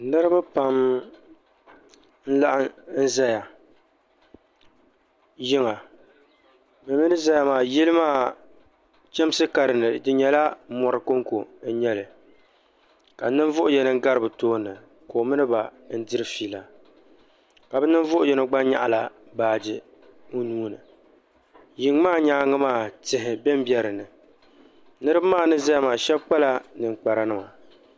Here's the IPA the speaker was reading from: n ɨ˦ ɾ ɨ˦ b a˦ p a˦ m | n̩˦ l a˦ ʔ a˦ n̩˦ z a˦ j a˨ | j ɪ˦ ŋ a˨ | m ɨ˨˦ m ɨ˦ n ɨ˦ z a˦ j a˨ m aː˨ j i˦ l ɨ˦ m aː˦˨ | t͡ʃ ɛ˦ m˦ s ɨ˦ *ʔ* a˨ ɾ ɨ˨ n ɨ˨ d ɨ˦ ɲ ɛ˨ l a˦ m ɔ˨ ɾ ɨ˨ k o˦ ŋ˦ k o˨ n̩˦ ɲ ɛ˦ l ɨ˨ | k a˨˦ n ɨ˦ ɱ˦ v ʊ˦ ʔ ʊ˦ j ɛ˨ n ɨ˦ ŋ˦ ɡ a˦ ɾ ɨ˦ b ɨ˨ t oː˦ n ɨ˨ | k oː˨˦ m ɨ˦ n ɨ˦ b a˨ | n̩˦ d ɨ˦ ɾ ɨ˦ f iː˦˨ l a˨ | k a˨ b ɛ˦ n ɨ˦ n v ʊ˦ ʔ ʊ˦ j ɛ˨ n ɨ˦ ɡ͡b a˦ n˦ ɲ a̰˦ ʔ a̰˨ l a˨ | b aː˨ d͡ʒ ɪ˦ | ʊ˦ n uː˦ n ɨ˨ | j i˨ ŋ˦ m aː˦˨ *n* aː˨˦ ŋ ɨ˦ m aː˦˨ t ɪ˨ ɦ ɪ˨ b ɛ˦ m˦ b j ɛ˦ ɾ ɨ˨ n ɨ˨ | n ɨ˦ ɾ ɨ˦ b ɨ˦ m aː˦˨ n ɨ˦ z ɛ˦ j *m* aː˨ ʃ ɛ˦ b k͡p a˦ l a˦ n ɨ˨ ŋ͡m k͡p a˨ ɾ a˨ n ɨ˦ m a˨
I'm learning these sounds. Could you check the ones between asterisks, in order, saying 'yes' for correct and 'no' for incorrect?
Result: no, no, yes

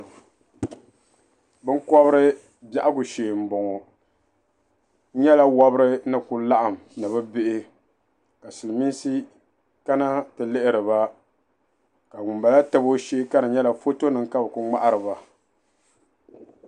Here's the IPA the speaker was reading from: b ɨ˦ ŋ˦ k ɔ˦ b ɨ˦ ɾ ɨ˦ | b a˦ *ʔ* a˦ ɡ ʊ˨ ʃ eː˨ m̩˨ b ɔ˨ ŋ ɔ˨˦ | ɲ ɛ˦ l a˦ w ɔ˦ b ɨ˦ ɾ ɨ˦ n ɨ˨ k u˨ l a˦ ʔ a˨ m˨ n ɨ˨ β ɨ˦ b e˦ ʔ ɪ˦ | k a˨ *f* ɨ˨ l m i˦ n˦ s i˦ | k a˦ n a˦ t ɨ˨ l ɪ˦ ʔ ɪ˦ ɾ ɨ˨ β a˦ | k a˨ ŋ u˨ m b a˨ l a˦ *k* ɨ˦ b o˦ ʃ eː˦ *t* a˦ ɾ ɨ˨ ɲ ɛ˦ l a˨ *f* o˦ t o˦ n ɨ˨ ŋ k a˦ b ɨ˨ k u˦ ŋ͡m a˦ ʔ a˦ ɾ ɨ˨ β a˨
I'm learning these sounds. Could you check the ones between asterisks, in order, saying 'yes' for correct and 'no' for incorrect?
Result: yes, no, no, no, yes

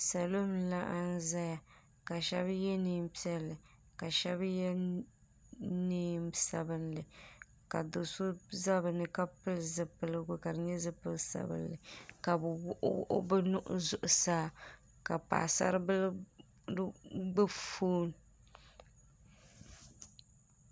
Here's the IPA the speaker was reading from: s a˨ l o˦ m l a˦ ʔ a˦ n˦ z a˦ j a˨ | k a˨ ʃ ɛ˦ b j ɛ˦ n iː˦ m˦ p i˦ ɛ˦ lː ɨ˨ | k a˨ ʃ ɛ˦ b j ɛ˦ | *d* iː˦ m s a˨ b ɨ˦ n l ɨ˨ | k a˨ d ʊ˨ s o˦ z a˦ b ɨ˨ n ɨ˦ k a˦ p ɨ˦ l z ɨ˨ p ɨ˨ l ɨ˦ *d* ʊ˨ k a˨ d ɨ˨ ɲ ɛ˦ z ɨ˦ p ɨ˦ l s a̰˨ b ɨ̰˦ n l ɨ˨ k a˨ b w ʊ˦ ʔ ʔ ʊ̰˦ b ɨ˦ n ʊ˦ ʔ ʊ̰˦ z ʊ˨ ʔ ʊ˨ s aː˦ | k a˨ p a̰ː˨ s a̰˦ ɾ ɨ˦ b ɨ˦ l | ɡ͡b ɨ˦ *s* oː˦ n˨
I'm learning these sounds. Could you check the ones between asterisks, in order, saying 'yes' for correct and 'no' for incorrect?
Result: no, no, no

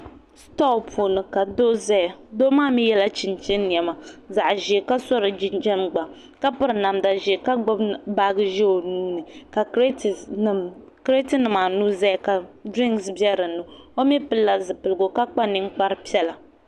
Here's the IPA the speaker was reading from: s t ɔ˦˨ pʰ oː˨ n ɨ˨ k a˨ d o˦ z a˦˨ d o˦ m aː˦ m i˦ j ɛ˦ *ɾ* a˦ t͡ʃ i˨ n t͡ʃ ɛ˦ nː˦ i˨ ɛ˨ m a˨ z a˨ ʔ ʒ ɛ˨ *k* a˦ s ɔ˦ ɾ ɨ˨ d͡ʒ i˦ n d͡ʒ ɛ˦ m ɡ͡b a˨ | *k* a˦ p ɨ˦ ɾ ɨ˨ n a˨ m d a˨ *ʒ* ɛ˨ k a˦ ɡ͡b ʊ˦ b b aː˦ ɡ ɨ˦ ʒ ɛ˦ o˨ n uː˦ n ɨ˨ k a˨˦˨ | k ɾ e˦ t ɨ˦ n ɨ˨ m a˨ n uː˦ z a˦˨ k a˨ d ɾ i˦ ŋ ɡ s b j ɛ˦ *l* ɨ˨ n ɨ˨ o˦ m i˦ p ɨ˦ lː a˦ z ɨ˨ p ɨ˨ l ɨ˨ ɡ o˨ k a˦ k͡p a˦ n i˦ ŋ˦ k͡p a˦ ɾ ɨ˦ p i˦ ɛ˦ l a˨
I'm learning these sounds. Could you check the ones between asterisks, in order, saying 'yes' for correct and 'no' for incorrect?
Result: no, yes, yes, yes, no

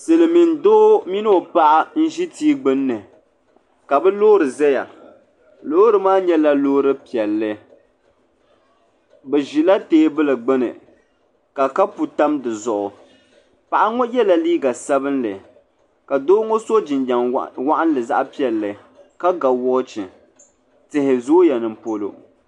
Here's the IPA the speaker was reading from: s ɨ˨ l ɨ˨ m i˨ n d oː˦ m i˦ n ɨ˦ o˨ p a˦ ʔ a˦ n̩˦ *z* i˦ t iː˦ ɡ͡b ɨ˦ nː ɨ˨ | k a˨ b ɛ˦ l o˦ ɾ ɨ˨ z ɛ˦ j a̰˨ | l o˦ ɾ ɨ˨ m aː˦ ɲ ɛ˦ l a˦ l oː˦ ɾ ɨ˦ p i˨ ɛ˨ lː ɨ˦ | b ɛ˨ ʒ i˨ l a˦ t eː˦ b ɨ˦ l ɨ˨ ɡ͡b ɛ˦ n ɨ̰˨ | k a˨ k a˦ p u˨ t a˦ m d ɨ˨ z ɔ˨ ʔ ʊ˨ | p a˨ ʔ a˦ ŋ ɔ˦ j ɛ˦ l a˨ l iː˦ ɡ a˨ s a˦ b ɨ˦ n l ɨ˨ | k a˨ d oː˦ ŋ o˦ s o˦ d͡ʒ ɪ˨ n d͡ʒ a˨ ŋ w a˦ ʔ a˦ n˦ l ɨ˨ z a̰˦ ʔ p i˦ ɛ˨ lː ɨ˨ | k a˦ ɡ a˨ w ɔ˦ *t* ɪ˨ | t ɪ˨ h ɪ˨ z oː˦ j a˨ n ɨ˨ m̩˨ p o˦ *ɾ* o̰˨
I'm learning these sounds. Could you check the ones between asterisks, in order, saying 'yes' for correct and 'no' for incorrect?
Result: no, no, no

